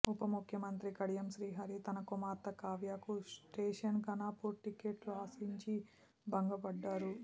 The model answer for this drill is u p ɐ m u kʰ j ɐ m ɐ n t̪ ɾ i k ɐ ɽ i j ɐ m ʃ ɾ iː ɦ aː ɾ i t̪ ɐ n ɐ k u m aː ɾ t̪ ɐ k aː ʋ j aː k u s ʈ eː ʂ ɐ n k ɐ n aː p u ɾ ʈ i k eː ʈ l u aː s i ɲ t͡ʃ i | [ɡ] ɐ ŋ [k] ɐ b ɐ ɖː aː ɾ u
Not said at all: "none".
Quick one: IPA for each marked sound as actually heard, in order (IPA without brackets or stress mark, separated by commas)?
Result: b, ɡ